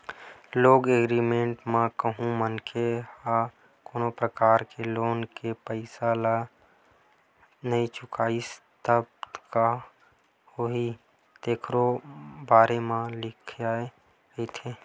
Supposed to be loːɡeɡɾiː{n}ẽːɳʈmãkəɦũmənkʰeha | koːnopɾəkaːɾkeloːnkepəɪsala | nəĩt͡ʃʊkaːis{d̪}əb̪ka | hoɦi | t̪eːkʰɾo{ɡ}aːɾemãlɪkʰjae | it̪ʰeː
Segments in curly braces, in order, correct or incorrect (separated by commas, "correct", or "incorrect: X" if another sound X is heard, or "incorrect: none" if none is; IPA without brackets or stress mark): incorrect: m, incorrect: t̪, incorrect: b